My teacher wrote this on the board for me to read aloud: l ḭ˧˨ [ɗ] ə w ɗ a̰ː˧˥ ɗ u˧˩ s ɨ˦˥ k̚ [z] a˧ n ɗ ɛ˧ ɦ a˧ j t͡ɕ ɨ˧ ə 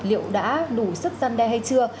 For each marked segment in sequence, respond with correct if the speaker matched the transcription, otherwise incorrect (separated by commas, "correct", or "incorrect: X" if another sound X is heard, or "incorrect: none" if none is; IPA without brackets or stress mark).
incorrect: none, correct